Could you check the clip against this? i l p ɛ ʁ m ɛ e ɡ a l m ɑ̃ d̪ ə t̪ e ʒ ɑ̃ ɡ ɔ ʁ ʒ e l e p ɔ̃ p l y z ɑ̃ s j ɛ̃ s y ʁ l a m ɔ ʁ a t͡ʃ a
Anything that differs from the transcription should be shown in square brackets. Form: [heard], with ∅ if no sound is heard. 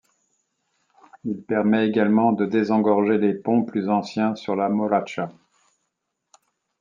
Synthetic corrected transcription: i l p ɛ ʁ m ɛ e ɡ a l m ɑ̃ d̪ ə [d̪] e [z] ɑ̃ ɡ ɔ ʁ ʒ e l e p ɔ̃ p l y z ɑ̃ s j ɛ̃ s y ʁ l a m ɔ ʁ a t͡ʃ a